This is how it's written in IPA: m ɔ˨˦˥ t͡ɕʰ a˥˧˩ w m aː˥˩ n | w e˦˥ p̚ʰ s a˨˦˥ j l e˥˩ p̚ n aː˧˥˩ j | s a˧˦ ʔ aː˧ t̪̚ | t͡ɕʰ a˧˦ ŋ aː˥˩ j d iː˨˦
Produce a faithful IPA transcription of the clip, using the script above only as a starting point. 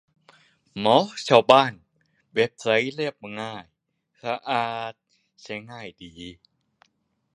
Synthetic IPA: m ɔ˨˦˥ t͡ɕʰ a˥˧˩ w b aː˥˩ n | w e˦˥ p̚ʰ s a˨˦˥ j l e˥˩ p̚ ŋ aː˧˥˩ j | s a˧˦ ʔ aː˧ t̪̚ | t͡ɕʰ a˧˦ ŋ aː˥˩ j d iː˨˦